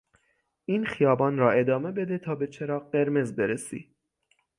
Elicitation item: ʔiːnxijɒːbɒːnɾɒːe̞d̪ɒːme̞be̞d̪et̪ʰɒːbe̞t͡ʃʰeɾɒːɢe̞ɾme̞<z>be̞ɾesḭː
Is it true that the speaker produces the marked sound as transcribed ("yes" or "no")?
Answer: yes